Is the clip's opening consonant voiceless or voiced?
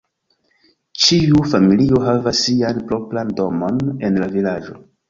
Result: voiceless